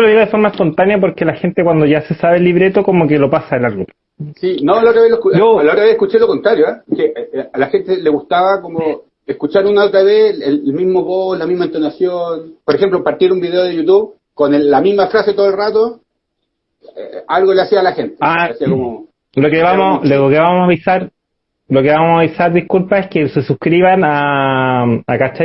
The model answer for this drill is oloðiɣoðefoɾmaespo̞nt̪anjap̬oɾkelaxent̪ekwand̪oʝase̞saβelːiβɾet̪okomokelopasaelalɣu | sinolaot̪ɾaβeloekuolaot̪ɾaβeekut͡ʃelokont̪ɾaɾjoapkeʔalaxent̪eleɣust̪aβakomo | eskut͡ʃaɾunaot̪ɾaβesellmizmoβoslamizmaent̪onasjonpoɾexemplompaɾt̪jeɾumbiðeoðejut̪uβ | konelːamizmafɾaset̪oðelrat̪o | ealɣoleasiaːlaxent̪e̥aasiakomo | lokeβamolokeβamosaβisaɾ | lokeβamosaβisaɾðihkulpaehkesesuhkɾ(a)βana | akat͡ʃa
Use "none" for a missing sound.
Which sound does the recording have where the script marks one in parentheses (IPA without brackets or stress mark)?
i